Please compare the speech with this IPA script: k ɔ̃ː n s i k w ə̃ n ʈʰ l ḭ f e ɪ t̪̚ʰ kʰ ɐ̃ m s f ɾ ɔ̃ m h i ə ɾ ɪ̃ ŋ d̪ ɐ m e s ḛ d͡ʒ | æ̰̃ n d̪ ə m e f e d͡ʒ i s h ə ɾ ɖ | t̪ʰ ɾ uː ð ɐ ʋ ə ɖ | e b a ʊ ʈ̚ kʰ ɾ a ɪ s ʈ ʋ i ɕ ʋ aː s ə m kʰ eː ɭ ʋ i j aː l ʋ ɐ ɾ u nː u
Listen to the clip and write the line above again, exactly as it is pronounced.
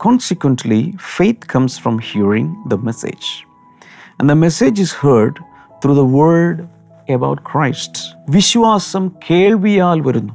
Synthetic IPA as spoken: k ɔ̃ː n s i k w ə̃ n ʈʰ l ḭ f e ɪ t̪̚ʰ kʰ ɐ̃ m s f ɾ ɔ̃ m h i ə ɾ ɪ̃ ŋ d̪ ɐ m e s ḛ d͡ʒ | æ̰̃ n d̪ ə m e s e d͡ʒ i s h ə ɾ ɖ | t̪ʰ ɾ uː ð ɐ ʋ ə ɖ | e b a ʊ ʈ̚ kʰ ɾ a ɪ s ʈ ʋ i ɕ ʋ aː s ɐ m kʰ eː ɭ ʋ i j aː l ʋ ɐ ɾ u nː u